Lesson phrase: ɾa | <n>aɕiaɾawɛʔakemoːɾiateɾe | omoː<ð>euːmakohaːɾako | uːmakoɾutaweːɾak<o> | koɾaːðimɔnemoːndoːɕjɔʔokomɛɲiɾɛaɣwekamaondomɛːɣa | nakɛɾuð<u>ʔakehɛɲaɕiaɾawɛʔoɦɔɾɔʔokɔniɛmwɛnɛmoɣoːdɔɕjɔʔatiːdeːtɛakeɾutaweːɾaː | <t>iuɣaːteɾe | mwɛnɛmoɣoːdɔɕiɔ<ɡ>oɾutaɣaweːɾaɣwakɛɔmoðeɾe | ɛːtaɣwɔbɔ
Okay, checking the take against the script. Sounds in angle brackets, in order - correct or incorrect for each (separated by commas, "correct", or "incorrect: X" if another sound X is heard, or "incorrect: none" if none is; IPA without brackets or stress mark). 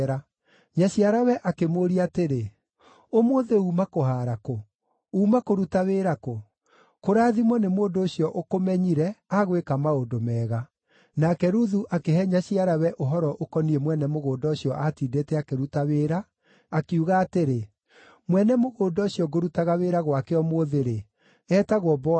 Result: incorrect: ɲ, correct, correct, correct, incorrect: k, correct